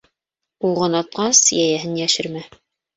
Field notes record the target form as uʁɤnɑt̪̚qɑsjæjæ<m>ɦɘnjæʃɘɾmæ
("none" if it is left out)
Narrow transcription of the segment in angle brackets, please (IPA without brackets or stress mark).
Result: none